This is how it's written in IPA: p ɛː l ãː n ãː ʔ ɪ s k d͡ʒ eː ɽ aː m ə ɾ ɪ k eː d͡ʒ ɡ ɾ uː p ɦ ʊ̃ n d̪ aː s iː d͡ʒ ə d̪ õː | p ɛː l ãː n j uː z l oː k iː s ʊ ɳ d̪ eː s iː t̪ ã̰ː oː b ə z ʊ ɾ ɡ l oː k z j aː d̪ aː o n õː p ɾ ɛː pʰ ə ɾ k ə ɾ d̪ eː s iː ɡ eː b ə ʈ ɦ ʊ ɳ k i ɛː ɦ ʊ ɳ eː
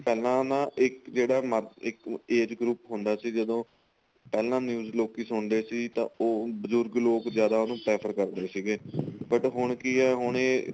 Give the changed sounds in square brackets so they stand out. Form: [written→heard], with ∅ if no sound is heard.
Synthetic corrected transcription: p ɛː l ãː n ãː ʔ ɪ [s→∅] k d͡ʒ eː ɽ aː m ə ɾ ɪ k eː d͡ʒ ɡ ɾ uː p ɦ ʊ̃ n d̪ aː s iː d͡ʒ ə d̪ õː | p ɛː l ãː n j uː z l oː k iː s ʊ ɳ d̪ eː s iː t̪ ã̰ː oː b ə z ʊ ɾ ɡ l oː k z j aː d̪ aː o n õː p ɾ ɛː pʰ ə ɾ k ə ɾ d̪ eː s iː ɡ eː b ə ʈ ɦ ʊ ɳ k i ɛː ɦ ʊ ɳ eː